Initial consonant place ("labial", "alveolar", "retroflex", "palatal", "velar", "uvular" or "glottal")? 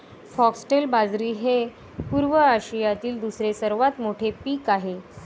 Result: labial